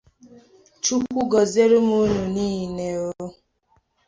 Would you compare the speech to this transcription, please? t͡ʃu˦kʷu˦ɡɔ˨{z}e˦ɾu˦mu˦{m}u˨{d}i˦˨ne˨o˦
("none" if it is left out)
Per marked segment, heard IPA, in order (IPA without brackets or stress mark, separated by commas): z, n, n